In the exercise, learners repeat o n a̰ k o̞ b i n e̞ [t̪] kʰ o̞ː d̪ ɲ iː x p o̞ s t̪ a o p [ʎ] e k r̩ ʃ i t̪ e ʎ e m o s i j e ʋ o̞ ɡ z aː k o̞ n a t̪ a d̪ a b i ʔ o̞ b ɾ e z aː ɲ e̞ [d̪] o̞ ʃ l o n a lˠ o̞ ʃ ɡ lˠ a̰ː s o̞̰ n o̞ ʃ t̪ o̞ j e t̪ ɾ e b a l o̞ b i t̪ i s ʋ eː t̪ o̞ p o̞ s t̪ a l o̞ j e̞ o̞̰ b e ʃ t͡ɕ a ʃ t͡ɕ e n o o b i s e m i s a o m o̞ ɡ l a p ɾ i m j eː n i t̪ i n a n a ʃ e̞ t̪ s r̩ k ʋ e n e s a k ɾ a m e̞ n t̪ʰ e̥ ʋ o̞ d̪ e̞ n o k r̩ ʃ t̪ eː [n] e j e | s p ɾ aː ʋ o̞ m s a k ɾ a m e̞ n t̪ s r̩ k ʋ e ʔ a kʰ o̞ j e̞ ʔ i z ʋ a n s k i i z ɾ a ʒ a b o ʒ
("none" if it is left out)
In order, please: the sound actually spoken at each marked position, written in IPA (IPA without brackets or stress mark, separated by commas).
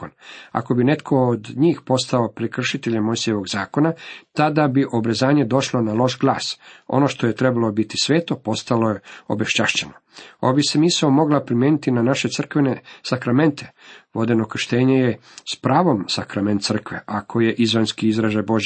t̪, ɾ, d̪, ɲ